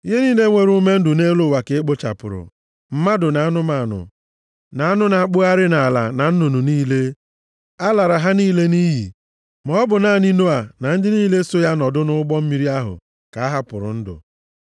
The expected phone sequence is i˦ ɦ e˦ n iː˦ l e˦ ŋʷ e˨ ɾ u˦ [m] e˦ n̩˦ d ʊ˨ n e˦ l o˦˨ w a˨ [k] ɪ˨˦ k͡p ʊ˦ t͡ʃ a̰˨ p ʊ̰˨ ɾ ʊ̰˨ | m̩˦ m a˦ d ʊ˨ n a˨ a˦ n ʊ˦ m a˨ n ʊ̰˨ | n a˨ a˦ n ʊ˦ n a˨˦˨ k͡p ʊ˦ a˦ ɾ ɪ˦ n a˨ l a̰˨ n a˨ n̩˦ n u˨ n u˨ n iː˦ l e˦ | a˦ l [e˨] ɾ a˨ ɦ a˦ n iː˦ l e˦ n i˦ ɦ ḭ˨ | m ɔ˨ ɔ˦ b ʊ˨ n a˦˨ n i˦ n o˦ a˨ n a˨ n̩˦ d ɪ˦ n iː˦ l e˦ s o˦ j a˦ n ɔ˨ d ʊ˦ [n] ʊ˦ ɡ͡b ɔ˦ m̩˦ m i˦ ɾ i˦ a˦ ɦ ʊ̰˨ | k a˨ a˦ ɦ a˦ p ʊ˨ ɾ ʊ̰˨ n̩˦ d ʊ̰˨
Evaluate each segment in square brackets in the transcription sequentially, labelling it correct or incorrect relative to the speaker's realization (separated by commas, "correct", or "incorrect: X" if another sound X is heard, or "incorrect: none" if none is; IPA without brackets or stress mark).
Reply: correct, correct, incorrect: a˨, correct